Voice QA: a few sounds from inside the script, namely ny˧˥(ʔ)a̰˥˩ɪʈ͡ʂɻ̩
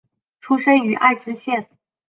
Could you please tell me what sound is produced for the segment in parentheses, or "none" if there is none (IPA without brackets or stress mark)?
ʔ